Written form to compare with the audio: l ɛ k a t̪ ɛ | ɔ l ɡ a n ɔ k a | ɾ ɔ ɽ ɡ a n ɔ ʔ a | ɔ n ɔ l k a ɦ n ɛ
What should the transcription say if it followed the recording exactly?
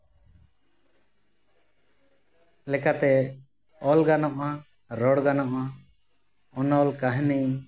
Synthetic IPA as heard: l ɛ k a t̪ ɛ | ɔ l ɡ a n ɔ ʔ a | ɾ ɔ ɽ ɡ a n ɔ ʔ a | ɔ n ɔ l k a ɦ n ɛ

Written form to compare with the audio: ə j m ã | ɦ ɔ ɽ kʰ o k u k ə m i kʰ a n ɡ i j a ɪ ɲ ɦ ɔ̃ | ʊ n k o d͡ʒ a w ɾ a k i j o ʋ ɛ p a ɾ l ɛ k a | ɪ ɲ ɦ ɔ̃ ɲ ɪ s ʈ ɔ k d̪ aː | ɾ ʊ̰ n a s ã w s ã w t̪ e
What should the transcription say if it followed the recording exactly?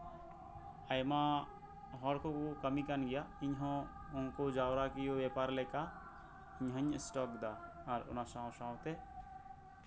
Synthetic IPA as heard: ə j m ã | ɦ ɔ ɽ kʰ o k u k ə m i k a n ɡ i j a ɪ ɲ ɦ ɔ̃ | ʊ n k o d͡ʒ a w ɾ a k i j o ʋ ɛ p a ɾ l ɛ k a | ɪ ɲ ɦ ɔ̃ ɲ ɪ s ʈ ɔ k d̪ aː | ɾ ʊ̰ n a s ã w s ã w t̪ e

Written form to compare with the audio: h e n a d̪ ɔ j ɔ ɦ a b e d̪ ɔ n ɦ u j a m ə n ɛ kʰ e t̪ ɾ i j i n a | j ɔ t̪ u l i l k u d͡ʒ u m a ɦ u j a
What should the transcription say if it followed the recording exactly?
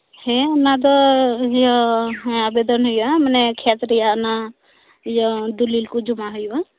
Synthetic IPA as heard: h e n a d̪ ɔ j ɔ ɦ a b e d̪ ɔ n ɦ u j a m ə n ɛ kʰ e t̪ ɾ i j a n a | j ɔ d̪ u l i l k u d͡ʒ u m a ɦ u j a

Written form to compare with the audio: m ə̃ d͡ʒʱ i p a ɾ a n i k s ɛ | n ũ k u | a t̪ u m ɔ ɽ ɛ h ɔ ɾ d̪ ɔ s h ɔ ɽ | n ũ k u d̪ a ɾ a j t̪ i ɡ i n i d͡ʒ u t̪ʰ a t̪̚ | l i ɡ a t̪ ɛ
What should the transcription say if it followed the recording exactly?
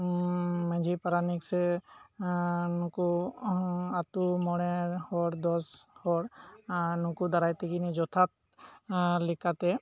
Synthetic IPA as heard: m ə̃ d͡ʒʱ i p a ɾ a n i k s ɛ | n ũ k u | a t̪ u m ɔ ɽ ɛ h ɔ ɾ d̪ ɔ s h ɔ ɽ | n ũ k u d̪ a ɾ a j t̪ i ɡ i n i d͡ʒ ɔ t̪ʰ a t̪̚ | l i k a t̪ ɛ

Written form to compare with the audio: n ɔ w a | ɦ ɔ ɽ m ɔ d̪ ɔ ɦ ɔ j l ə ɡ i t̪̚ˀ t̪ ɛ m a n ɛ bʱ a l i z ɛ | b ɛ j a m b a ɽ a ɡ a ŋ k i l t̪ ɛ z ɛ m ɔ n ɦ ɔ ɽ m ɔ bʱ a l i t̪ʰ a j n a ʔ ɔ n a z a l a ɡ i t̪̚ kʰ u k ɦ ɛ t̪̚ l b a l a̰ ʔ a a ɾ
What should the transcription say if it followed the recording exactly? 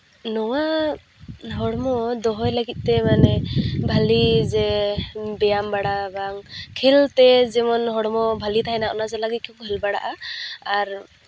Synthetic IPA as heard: n ɔ w a | ɦ ɔ ɽ m ɔ d̪ ɔ ɦ ɔ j l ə ɡ i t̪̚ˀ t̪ ɛ m a n ɛ bʱ a l i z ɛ | b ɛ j a m b a ɽ a b a ŋ kʰ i l t̪ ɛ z ɛ m ɔ n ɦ ɔ ɽ m ɔ bʱ a l i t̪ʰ a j n a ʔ ɔ n a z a l a ɡ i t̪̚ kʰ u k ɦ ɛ l b a ɽ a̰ ʔ a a ɾ

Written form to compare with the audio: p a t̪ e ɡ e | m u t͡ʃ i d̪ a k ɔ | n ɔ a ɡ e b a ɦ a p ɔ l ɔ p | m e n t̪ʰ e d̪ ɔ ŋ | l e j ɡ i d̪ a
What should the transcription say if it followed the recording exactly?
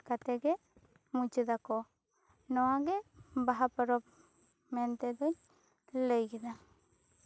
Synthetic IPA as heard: k a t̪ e ɡ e | m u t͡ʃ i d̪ a k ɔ | n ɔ a ɡ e b a ɦ a p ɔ ɾ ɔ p | m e n t̪ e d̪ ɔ ɲ | l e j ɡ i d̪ a

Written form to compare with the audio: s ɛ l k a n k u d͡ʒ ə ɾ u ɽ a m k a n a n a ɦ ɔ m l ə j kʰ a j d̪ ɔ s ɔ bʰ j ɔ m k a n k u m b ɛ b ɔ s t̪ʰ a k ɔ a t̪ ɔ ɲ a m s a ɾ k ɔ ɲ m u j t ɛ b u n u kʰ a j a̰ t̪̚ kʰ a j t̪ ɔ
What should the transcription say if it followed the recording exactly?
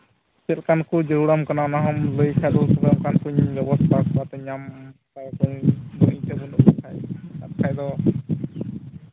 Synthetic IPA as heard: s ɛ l k a n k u d͡ʒ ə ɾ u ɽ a m k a n a n a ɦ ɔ m l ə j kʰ a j d̪ ɔ s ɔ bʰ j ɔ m k a n k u ɲ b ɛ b ɔ s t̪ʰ a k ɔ a t̪ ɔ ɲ a m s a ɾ k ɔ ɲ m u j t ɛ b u n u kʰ a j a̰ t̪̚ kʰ a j d̪ ɔ

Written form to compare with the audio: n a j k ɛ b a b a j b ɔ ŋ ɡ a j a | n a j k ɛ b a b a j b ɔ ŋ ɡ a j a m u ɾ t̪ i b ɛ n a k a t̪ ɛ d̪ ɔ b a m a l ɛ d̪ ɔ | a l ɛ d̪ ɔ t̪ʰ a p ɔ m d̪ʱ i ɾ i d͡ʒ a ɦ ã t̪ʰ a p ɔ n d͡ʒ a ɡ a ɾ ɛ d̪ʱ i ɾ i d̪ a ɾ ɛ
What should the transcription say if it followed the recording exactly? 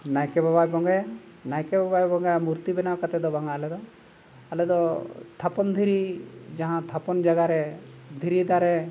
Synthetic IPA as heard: n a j k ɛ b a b a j b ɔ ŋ ɡ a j a | n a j k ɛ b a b a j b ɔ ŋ ɡ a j a m u ɾ t̪ i b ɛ n a k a t̪ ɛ d̪ ɔ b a ŋ a l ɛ d̪ ɔ | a l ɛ d̪ ɔ t̪ʰ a p ɔ n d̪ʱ i ɾ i d͡ʒ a ɦ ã t̪ʰ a p ɔ n d͡ʒ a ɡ a ɾ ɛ d̪ʱ i ɾ i d̪ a ɾ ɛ

